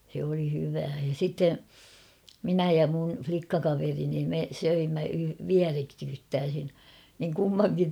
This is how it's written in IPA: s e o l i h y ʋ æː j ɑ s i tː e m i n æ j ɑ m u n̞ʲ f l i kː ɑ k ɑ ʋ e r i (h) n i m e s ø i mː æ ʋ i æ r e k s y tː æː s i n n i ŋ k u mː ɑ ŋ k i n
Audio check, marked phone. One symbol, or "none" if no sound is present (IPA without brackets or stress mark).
none